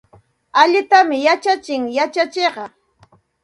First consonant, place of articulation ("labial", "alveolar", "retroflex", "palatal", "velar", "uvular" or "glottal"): palatal